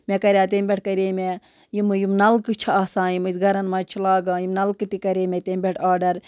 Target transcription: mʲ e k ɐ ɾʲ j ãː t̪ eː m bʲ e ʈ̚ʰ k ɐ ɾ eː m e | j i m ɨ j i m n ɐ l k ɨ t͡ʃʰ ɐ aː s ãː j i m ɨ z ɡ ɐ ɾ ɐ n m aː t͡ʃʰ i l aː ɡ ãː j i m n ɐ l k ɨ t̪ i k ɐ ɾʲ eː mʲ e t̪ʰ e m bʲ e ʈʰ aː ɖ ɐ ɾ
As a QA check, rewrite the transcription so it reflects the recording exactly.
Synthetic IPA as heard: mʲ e k ɐ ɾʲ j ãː t̪ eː m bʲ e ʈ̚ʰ k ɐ ɾ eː m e | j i m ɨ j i m n ɐ l k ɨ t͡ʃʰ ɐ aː s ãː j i m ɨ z ɡ ɐ ɾ ɐ n m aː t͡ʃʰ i l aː ɡ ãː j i m n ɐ l k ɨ t̪ i k ɐ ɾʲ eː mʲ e t̪ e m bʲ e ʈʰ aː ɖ ɐ ɾ